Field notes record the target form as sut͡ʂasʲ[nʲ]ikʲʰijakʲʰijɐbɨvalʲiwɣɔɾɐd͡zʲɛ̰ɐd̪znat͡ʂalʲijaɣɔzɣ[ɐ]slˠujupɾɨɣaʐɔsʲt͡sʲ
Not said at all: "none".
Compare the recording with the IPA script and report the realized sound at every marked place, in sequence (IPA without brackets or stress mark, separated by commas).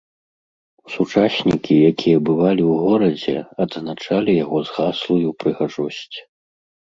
nʲ, a